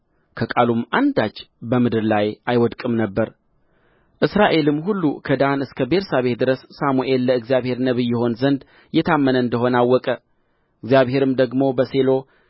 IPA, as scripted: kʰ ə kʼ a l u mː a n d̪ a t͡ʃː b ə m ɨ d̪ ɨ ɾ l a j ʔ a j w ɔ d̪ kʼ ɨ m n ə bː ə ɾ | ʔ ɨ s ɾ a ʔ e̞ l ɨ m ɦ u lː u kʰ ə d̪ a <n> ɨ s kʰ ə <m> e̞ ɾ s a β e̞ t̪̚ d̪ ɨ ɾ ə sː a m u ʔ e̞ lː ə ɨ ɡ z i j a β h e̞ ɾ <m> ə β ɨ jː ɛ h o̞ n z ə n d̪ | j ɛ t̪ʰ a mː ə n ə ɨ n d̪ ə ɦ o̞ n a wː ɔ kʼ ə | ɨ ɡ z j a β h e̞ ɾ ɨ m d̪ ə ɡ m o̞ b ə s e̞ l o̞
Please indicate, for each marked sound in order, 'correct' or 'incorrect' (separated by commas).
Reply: correct, incorrect, incorrect